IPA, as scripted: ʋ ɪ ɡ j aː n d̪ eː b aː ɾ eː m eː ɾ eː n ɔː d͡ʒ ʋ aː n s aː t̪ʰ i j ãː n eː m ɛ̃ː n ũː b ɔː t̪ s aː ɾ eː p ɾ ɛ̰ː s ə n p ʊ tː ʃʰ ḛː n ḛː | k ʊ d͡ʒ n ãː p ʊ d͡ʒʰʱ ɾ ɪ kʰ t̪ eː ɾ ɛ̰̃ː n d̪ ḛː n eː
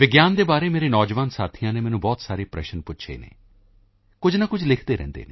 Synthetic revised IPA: ʋ ɪ ɡ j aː n d̪ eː b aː ɾ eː m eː ɾ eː n ɔː d͡ʒ ʋ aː n s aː t̪ʰ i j ãː n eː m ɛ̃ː n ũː b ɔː t̪ s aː ɾ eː p ɾ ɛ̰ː ʃ ə n p ʊ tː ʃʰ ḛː n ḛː | k ʊ d͡ʒ n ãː k ʊ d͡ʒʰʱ l ɪ kʰ d̪ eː ɾ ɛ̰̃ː n d̪ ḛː n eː